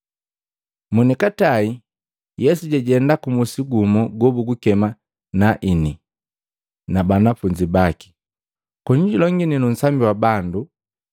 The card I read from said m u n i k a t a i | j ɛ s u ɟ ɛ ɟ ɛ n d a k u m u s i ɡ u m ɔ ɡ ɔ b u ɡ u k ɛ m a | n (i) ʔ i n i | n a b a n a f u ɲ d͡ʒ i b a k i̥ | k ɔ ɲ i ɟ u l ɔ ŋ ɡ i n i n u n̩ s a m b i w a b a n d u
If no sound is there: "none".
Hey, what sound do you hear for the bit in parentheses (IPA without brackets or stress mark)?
a